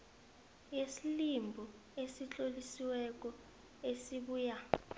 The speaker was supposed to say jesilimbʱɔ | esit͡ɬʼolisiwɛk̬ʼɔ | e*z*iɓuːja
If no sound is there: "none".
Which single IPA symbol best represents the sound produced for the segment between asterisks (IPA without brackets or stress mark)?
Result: s